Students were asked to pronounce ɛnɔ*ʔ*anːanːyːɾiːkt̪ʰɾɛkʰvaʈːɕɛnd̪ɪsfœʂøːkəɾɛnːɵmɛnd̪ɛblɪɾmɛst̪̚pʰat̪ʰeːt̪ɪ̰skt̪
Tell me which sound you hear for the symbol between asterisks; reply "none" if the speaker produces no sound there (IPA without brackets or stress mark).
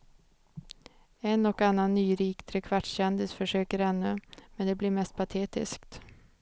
k